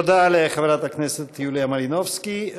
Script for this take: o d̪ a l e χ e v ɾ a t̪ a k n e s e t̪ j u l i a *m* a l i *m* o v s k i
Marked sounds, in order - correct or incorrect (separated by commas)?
correct, incorrect